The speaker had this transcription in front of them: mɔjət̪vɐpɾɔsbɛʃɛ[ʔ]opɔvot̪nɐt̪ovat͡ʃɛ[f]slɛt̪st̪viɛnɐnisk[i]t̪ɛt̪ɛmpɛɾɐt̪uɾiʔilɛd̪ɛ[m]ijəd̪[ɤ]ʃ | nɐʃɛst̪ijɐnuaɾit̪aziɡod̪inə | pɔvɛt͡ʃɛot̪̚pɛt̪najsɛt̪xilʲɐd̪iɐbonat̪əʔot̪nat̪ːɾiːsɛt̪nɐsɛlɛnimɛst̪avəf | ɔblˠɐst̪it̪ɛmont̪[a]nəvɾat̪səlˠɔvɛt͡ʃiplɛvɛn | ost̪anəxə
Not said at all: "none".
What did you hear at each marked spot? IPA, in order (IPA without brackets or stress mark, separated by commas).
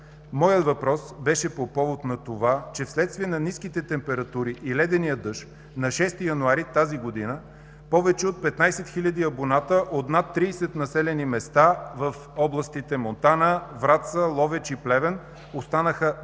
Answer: p, f, i, n, ɤ, a